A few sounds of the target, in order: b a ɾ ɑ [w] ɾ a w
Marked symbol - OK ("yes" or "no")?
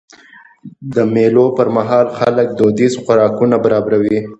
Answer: no